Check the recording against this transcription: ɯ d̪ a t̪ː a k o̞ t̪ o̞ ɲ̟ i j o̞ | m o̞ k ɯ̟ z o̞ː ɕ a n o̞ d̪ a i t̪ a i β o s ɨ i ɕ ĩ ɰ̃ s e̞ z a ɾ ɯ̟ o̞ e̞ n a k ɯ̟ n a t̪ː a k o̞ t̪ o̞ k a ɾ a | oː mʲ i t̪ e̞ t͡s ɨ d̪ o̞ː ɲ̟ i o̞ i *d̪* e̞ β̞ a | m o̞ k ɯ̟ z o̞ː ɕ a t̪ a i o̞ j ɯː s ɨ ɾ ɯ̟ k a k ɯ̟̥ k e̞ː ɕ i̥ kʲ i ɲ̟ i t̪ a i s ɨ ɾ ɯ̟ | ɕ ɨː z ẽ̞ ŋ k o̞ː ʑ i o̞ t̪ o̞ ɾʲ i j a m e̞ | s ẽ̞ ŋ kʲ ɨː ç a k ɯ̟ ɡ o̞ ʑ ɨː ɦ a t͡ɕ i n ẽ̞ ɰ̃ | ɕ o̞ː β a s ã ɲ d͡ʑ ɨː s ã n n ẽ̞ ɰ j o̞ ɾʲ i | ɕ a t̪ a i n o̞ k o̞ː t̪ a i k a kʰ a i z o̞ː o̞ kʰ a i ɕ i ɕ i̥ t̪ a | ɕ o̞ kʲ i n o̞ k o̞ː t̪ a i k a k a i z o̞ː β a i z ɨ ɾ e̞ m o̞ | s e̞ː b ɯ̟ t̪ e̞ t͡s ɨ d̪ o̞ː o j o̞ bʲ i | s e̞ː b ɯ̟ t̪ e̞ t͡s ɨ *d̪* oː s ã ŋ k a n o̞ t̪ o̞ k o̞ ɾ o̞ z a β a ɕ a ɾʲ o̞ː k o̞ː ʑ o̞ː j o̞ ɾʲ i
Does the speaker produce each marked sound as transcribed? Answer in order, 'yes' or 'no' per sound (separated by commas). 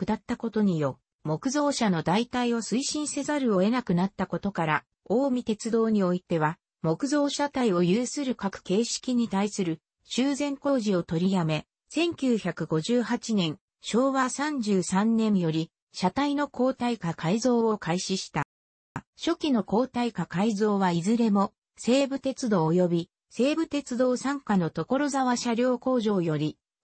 no, yes